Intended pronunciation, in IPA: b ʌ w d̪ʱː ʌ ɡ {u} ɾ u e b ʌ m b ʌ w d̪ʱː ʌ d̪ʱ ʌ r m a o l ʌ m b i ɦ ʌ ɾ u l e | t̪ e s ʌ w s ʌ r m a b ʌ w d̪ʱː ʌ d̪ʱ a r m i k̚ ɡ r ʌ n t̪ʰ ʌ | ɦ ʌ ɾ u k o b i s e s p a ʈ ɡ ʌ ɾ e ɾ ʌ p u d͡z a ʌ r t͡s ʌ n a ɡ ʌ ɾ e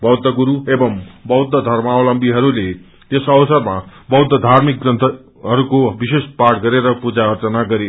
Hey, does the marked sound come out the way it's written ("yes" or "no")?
yes